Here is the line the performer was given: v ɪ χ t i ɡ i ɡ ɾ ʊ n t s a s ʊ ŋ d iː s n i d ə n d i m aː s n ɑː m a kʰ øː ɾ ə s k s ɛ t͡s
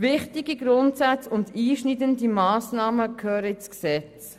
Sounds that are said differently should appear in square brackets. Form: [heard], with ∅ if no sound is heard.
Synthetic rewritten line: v ɪ χ t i ɡ i ɡ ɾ ʊ n t s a [t͡s] ʊ [n] d iː [ʃ] n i d ə n d i m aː s n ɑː m [ə] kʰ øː ɾ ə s k s ɛ t͡s